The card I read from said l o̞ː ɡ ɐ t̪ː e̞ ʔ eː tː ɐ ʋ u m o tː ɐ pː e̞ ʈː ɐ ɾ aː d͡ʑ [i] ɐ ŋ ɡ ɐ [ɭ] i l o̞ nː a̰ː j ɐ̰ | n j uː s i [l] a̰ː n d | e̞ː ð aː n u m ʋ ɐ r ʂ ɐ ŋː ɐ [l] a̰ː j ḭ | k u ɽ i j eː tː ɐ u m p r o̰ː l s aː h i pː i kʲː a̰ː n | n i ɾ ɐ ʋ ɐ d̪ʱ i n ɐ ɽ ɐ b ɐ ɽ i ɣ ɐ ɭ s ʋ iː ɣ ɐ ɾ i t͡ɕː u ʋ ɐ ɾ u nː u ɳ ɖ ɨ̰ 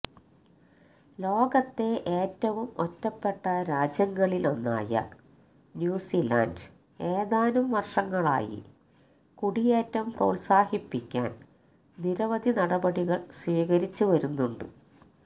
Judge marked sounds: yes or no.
no, yes, yes, no

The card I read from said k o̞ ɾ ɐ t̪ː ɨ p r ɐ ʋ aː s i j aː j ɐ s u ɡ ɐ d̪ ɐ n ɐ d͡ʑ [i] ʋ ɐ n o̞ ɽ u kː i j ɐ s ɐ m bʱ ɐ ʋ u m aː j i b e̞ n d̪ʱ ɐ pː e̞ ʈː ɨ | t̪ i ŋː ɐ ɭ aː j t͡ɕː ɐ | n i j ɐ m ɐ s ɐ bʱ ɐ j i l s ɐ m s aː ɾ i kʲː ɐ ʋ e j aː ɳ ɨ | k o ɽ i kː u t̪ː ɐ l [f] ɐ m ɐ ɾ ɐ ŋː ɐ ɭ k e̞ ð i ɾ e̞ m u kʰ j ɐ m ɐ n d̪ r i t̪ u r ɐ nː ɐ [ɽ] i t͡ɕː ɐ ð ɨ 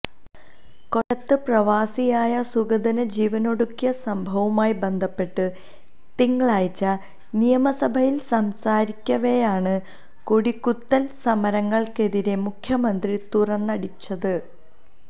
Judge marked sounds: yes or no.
no, no, yes

